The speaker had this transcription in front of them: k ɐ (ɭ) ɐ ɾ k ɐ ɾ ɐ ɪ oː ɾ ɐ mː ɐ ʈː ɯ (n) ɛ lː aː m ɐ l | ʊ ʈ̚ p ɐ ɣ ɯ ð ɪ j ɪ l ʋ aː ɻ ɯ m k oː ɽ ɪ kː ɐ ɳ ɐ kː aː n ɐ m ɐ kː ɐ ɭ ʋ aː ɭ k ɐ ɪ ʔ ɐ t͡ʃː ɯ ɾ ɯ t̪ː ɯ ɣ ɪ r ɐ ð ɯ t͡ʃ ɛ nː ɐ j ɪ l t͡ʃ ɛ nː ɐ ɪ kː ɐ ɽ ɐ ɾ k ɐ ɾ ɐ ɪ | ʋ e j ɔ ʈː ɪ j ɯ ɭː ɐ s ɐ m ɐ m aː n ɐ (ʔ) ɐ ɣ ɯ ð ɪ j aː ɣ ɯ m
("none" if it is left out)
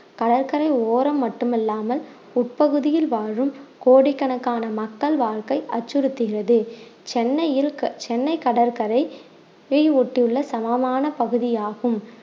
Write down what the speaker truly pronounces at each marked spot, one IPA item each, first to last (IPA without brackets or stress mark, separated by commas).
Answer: ɽ, m, p